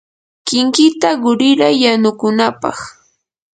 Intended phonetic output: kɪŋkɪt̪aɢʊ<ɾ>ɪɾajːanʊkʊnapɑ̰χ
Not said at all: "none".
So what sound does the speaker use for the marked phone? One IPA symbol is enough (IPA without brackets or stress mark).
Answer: ɾ